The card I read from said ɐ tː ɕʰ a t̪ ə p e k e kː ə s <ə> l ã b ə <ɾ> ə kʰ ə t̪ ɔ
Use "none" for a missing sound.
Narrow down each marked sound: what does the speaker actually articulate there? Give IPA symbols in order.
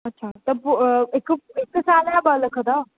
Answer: a, l

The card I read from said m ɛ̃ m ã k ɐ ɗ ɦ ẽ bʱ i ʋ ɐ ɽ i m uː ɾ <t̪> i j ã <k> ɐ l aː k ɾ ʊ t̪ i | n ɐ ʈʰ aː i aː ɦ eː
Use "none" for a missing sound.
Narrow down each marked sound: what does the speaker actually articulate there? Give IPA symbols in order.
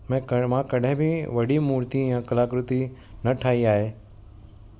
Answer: t̪, k

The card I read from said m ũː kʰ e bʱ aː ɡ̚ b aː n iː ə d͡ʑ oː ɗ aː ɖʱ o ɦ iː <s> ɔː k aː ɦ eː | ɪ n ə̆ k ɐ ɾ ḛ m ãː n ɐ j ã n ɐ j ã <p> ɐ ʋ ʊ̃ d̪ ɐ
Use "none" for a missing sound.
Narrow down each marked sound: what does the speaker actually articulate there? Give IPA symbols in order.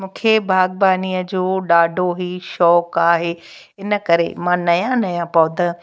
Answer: ʃ, p

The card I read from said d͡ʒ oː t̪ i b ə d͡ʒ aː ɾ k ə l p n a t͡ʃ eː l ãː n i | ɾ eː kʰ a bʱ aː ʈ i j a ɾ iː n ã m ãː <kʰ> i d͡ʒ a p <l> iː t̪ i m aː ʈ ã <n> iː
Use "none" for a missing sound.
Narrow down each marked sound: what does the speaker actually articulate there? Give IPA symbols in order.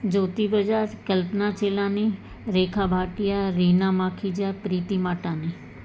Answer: kʰ, ɾ, n

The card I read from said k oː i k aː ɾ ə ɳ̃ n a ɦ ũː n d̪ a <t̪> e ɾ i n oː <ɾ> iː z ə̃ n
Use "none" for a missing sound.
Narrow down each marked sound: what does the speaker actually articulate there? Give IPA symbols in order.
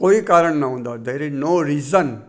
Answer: d̪, ɾ

